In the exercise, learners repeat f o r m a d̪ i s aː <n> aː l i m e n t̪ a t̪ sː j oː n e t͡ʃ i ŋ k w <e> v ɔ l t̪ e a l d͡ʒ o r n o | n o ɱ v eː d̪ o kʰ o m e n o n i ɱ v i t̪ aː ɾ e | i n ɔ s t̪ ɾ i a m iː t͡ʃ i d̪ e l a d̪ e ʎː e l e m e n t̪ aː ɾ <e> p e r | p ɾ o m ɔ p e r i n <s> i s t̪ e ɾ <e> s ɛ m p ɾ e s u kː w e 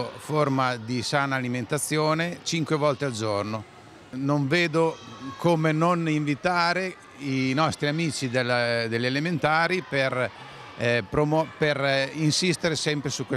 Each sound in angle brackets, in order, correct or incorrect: correct, correct, incorrect: i, correct, correct

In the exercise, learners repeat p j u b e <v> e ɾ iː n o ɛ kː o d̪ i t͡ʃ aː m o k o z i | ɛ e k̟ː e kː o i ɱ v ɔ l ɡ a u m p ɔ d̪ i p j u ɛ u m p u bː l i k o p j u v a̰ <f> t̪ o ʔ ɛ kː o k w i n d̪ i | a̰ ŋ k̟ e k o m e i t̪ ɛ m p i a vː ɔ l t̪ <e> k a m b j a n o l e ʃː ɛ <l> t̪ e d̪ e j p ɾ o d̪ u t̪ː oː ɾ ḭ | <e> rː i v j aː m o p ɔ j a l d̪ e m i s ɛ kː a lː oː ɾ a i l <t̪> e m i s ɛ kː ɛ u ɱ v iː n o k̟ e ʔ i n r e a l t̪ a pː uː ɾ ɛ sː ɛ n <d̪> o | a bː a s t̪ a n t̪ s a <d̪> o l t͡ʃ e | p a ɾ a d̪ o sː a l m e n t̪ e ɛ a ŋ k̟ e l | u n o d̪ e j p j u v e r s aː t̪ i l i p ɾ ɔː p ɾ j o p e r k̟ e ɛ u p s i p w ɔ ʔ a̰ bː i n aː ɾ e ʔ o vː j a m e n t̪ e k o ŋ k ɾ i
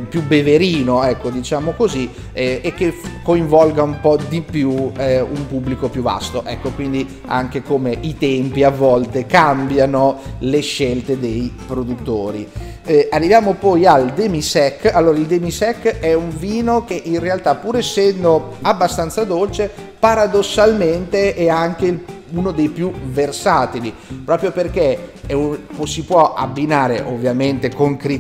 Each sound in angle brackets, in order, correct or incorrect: correct, incorrect: s, correct, correct, incorrect: a, incorrect: d̪, correct, correct

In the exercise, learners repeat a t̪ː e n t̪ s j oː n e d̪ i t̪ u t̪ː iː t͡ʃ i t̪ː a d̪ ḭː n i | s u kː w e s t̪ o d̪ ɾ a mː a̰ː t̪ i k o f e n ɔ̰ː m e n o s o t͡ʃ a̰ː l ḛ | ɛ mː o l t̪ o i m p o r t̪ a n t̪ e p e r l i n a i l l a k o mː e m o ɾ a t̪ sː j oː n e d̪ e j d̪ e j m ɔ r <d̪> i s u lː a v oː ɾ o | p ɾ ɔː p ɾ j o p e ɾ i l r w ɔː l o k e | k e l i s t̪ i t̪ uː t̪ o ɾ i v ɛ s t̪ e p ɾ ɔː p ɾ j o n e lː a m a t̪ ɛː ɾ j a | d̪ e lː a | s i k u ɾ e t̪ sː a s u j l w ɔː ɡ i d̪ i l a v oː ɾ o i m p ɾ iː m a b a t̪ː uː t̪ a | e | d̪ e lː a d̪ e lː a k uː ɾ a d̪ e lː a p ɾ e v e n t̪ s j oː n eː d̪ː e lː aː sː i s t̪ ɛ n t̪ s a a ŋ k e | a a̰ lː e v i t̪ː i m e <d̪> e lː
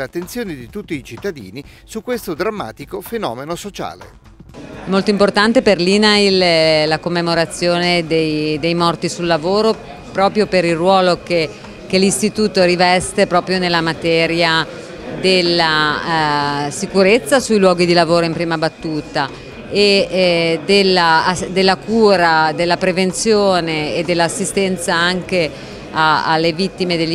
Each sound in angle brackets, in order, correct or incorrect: incorrect: t̪, correct

